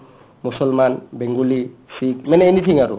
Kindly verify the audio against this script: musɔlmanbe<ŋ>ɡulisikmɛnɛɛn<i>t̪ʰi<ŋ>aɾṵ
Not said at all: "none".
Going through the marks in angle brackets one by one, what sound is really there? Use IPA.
ŋ, i, ŋ

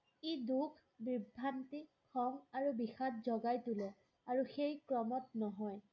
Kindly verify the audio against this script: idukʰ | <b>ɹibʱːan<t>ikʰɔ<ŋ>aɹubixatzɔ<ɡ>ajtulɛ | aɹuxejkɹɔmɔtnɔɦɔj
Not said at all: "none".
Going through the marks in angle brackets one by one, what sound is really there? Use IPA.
b, t, ŋ, ɡ

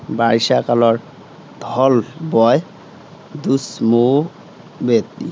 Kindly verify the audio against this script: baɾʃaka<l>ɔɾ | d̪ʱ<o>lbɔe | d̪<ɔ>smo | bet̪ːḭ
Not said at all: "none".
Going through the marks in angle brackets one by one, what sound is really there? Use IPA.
l, ɔ, u

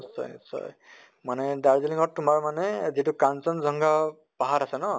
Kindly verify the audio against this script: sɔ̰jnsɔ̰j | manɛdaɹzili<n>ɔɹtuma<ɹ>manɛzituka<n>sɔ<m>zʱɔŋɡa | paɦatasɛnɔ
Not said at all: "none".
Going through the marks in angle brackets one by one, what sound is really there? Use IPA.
ŋ, ɹ, n, n

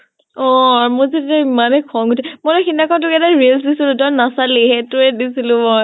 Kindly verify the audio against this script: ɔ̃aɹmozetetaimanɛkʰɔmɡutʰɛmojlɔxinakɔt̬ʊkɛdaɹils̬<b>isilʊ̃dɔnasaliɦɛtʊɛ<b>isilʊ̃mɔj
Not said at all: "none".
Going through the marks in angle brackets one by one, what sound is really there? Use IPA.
d, d

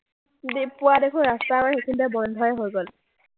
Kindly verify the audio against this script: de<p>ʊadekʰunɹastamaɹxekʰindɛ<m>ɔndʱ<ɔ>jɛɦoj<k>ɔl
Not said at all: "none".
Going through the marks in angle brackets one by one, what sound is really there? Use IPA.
p, b, ɔ, ɡ

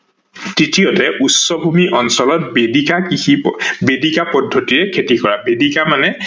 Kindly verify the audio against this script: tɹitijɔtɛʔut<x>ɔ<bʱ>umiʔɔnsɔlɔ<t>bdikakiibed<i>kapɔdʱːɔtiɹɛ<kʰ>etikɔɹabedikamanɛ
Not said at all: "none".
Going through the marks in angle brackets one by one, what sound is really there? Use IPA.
s, bʱ, t, i, kʰ

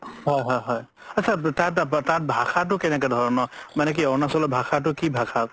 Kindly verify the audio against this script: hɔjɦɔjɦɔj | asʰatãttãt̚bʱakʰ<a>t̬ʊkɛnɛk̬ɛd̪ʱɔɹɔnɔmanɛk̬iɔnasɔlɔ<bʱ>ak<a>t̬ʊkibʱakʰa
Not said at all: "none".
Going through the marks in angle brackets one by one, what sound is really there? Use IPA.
a, bʱ, a

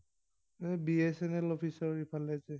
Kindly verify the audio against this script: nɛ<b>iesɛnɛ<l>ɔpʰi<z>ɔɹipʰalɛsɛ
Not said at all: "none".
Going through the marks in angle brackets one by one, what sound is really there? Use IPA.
b, l, s

